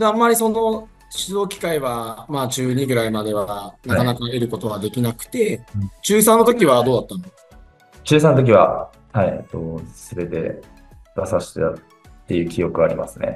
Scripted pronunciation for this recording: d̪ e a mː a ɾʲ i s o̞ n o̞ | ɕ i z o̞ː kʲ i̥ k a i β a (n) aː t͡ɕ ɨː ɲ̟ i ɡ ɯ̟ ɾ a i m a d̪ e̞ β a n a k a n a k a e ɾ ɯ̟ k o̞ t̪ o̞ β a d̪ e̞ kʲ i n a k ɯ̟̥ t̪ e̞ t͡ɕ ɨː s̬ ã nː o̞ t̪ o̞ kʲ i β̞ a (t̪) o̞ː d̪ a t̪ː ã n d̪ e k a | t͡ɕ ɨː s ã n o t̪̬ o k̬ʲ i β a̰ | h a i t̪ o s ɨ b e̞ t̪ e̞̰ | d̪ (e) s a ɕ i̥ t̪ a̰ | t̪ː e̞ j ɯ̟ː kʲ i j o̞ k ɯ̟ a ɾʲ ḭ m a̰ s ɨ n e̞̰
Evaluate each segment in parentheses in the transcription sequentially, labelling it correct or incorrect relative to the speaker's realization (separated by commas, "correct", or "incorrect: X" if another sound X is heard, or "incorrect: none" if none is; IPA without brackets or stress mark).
incorrect: m, incorrect: d̪, incorrect: a